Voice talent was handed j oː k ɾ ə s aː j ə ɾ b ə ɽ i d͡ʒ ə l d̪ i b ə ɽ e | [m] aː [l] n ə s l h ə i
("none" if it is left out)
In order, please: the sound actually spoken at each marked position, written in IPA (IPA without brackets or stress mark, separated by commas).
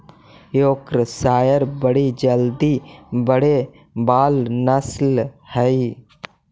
b, l